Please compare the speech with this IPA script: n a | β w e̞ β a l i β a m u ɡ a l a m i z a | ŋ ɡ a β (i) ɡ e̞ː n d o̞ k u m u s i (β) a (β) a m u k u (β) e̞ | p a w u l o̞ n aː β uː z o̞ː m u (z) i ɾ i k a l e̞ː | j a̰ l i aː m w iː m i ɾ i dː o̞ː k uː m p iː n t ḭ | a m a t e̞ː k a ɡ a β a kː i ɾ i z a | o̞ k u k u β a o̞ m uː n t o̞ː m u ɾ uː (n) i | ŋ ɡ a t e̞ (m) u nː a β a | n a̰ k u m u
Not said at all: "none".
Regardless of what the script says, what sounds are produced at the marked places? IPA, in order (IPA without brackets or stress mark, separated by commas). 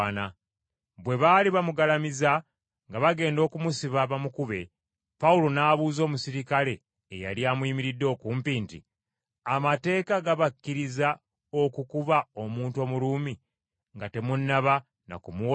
a, β, β, β, s, m, m